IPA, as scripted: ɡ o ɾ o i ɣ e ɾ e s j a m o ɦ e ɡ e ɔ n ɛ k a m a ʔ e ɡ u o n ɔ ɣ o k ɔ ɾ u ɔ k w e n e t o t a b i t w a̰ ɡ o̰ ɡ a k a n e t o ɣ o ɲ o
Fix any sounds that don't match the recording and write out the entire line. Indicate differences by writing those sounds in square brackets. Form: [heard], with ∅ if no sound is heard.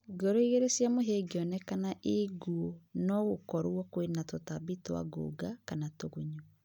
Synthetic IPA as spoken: ɡ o ɾ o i ɣ e ɾ e s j a m o ɦ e ɡ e ɔ n ɛ k a [n] a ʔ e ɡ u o n ɔ ɣ o k ɔ ɾ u ɔ k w e n [a] t o t a b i t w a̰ ɡ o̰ ɡ a k a n [a] t o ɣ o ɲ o